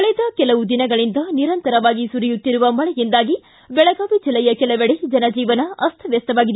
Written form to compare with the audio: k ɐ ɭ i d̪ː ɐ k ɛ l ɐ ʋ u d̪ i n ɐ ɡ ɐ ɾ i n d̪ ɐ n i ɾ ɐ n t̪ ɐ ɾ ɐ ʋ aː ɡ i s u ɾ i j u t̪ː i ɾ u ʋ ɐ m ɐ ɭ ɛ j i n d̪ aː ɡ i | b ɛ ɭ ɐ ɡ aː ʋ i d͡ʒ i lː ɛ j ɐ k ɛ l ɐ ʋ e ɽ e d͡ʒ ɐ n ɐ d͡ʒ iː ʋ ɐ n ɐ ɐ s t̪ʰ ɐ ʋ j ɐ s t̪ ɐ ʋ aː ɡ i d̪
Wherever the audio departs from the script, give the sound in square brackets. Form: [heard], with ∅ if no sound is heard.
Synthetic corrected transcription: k ɐ ɭ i [d̪] ɐ k ɛ l ɐ ʋ u d̪ i n ɐ ɡ ɐ [ɭ] i n d̪ ɐ n i ɾ ɐ n t̪ ɐ ɾ ɐ ʋ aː ɡ i s u ɾ i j u t̪ː i ɾ u ʋ ɐ m ɐ ɭ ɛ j i n d̪ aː ɡ i | b ɛ ɭ ɐ ɡ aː ʋ i d͡ʒ i lː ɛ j ɐ k ɛ l ɐ ʋ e ɽ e d͡ʒ ɐ n ɐ d͡ʒ iː ʋ ɐ n ɐ ɐ s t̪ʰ ɐ ʋ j ɐ s t̪ ɐ ʋ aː ɡ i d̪

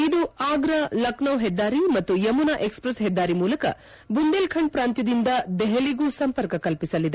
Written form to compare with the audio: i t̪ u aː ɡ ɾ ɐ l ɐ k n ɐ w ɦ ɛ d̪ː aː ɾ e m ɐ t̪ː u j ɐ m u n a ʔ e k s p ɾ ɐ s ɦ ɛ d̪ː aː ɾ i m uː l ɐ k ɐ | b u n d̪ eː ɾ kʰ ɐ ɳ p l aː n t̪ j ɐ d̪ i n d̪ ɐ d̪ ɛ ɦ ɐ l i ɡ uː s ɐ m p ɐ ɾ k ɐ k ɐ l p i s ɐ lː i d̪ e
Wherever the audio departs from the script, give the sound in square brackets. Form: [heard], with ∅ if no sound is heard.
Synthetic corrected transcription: i [d̪] u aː ɡ ɾ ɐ l ɐ k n ɐ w ɦ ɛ d̪ː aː ɾ [i] m ɐ t̪ː u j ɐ m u n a ʔ e k s p ɾ ɐ s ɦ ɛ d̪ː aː ɾ i m uː l ɐ k ɐ | b u n d̪ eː [l] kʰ ɐ ɳ p [ɾ] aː n t̪ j ɐ d̪ i n d̪ ɐ d̪ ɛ ɦ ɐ l i ɡ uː s ɐ m p ɐ ɾ k ɐ k ɐ l p i s ɐ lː i d̪ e

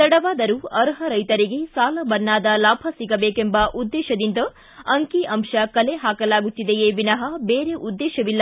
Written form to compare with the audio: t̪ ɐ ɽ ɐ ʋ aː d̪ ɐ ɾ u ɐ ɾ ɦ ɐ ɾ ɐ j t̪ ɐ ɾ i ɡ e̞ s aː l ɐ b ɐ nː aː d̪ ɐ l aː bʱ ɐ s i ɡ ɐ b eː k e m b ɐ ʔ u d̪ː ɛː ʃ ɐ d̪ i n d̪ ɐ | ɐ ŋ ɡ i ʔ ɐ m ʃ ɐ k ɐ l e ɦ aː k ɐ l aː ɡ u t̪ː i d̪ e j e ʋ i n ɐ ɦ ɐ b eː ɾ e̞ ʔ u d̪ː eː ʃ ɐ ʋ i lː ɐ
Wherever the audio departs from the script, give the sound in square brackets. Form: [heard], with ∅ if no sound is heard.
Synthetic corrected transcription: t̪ ɐ ɽ ɐ ʋ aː d̪ ɐ ɾ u ɐ ɾ ɦ ɐ ɾ ɐ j t̪ ɐ ɾ i ɡ e̞ s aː l ɐ b ɐ nː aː d̪ ɐ l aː bʱ ɐ s i ɡ ɐ b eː k e m b ɐ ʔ u d̪ː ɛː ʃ ɐ d̪ i n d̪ ɐ | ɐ ŋ [k] i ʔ ɐ m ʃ ɐ k ɐ l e ɦ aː k ɐ l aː ɡ u t̪ː i d̪ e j e ʋ i n ɐ ɦ ɐ b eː ɾ e̞ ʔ u d̪ː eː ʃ ɐ ʋ i lː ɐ

